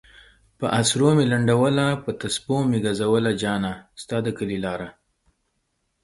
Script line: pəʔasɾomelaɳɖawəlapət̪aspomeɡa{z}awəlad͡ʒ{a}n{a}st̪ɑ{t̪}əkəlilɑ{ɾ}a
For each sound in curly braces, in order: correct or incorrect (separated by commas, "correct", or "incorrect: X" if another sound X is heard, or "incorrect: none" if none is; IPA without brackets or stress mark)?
correct, incorrect: ɑ, correct, incorrect: d̪, correct